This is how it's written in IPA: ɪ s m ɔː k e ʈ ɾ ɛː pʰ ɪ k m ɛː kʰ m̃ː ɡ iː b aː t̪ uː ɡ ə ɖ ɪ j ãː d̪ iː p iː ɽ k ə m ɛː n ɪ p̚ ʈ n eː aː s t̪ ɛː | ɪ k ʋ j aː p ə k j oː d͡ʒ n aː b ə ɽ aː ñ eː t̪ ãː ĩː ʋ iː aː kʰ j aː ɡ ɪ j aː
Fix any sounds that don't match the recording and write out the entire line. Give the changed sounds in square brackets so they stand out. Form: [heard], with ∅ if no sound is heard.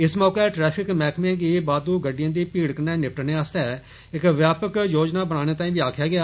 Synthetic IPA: ɪ s m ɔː k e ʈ ɾ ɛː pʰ ɪ k m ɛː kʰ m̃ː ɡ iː b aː [d̪] uː ɡ ə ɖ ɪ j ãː d̪ iː p iː ɽ k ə [n] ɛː n ɪ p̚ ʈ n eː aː s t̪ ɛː | ɪ k ʋ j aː p ə k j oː d͡ʒ n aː b ə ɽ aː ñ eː t̪ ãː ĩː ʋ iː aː kʰ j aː ɡ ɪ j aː